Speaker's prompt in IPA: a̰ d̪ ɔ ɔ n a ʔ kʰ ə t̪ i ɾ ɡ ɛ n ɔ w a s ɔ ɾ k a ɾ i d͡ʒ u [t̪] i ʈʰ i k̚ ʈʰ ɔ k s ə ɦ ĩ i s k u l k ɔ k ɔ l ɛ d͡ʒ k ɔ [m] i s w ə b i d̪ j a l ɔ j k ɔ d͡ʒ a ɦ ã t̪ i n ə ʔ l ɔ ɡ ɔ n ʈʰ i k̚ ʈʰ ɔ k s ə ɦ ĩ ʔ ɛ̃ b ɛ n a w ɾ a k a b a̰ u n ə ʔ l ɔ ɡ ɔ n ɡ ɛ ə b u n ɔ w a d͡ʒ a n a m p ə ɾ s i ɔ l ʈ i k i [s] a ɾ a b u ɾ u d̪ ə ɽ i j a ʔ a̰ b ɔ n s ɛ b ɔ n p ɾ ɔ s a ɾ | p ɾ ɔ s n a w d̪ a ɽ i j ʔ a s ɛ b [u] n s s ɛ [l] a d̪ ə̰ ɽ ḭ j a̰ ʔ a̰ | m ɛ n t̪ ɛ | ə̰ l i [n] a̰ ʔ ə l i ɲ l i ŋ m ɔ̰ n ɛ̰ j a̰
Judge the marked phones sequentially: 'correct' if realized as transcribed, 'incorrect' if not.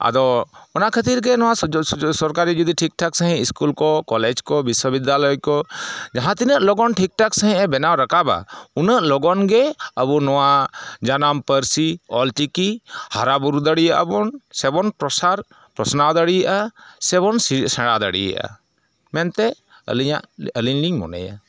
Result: incorrect, incorrect, incorrect, incorrect, incorrect, incorrect

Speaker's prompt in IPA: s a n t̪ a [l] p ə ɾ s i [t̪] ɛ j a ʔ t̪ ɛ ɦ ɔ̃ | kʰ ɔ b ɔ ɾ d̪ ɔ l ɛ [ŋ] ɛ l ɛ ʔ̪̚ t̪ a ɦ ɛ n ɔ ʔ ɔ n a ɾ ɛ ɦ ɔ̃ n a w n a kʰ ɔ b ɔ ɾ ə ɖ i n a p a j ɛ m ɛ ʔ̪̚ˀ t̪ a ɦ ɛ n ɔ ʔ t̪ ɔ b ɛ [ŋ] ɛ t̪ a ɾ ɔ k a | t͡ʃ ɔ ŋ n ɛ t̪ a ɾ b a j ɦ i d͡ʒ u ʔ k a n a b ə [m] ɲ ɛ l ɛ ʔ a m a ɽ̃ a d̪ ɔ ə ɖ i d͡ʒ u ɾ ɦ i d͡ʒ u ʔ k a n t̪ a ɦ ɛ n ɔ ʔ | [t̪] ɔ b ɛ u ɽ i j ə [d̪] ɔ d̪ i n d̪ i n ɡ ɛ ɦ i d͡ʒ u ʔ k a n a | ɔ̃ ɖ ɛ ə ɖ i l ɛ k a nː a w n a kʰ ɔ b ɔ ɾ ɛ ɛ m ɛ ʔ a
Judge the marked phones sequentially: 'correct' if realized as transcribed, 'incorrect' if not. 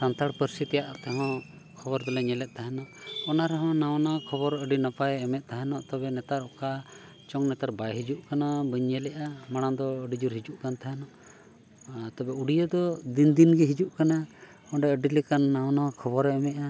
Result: incorrect, correct, incorrect, incorrect, incorrect, correct, correct

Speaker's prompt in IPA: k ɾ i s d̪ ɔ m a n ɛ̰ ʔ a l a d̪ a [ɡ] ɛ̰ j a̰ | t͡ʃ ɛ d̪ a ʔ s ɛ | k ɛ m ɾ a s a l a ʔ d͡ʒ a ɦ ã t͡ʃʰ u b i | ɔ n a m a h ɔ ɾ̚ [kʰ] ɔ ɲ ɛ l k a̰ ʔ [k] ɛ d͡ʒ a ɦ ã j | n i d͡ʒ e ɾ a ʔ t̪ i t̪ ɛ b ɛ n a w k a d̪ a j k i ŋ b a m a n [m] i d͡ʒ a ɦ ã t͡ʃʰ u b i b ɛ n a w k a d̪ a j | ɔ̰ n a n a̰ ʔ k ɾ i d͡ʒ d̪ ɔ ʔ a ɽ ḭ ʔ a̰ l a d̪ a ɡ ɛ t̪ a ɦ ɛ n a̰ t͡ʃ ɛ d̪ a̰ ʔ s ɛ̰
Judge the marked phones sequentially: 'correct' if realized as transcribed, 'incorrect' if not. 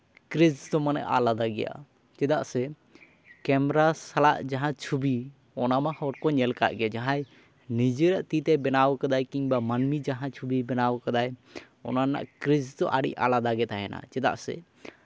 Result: correct, incorrect, incorrect, correct

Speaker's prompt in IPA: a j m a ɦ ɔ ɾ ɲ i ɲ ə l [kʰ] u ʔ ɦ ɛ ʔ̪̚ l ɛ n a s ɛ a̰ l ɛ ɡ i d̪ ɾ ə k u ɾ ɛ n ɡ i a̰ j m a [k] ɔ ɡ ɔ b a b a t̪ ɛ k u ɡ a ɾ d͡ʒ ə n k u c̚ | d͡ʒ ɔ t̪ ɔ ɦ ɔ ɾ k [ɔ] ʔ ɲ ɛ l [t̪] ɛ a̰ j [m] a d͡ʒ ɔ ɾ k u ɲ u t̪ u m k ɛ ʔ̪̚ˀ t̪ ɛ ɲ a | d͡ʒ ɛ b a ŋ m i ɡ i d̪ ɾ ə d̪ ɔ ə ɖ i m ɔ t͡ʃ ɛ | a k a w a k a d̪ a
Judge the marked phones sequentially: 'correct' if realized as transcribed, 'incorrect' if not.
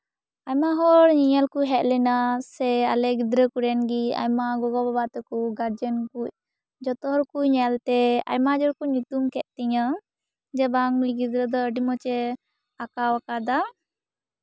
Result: incorrect, incorrect, incorrect, correct, correct

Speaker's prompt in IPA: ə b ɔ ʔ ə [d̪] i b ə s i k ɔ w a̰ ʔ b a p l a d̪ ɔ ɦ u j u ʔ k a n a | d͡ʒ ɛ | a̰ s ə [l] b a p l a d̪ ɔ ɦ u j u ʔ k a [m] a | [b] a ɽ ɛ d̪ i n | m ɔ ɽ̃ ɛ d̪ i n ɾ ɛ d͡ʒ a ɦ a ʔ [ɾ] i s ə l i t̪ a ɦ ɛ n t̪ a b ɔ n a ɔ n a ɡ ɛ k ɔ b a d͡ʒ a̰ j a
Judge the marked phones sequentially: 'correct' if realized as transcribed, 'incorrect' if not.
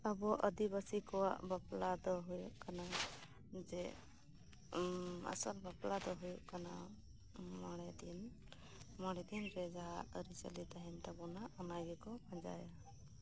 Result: correct, correct, incorrect, incorrect, correct

